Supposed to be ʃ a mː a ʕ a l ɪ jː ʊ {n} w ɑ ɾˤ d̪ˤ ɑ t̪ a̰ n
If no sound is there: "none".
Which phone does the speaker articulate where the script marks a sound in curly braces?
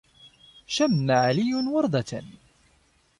n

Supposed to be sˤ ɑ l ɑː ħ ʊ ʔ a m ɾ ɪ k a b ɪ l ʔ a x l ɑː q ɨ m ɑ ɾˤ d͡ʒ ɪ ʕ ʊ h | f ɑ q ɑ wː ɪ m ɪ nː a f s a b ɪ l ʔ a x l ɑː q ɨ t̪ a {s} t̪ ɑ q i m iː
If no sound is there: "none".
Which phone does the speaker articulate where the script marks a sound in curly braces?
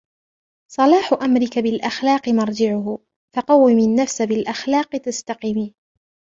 s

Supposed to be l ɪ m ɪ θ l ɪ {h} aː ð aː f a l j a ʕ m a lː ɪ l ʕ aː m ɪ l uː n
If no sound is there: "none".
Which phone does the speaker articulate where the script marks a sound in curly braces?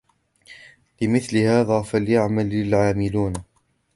h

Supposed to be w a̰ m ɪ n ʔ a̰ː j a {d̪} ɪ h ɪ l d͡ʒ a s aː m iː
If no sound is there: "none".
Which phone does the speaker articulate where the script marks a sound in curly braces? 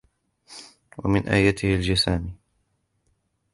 t̪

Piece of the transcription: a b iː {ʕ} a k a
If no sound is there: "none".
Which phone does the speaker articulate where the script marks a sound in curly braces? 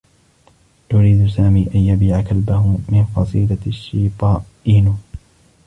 ʕ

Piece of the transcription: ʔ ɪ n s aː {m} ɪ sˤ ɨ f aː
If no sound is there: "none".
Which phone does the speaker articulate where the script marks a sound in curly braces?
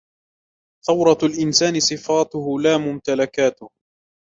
n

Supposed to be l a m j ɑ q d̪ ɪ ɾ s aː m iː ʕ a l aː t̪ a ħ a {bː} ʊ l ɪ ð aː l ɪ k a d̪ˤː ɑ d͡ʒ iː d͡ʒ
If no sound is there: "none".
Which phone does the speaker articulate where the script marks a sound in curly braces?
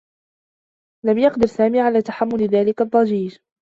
mː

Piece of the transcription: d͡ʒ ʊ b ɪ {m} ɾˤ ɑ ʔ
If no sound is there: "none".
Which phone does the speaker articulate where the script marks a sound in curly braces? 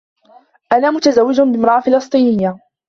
m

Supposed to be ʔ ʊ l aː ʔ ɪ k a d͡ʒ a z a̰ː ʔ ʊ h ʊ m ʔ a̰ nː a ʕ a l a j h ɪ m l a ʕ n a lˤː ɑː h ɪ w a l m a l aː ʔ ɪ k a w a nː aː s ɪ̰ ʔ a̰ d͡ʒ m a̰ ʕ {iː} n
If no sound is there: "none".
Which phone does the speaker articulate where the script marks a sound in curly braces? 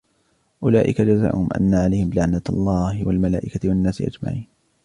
iː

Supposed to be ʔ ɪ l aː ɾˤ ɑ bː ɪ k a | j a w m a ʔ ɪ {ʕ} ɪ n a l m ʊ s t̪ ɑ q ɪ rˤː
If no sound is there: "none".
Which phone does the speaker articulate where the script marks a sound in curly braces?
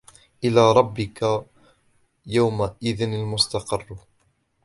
ð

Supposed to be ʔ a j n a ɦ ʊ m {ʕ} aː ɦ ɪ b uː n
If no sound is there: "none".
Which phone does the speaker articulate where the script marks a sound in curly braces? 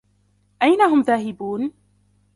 ð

